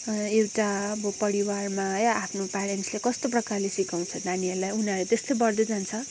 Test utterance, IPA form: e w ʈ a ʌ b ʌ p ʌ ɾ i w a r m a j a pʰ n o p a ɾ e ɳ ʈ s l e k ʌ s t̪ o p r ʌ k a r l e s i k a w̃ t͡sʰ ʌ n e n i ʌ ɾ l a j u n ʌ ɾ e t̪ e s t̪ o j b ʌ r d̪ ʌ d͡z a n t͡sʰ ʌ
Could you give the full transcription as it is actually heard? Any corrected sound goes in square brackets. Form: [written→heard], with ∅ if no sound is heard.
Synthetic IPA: e w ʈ a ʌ b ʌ p ʌ ɾ i w a r m a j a pʰ n o p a ɾ e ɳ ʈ s l e k ʌ s t̪ o p r ʌ k a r l e s i k a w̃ t͡sʰ ʌ n [e→a] n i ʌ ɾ l a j u n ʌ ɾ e t̪ e s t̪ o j b ʌ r d̪ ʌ d͡z a n t͡sʰ ʌ